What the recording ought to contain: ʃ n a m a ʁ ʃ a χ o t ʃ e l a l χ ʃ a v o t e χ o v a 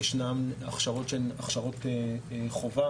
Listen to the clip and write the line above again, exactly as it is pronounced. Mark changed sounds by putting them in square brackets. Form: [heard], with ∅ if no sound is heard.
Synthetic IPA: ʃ n a m a [χ] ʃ a [ʁ] o t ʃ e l a [∅] χ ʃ a [ʁ] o t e χ o v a